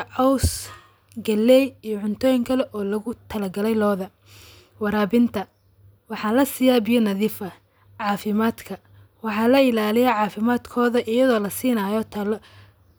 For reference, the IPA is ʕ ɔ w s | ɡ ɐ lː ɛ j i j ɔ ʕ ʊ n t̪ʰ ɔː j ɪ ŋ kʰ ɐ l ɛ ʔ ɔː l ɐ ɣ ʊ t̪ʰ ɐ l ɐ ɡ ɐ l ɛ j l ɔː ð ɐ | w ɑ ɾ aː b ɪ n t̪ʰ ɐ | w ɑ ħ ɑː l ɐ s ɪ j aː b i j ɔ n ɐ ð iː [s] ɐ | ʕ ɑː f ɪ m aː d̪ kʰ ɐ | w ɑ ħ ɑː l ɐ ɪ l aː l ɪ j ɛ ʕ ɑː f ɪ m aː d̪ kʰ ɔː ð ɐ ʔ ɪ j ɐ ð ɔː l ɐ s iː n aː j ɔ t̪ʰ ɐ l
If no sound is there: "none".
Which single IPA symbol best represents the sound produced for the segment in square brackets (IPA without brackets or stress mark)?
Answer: f